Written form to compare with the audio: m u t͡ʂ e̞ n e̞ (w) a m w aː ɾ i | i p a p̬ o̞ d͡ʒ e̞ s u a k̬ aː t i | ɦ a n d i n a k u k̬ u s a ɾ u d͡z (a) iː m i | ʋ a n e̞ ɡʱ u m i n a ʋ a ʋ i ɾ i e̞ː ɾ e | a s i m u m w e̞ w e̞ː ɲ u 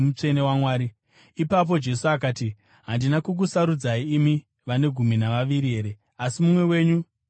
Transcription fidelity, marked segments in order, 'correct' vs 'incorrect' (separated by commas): correct, correct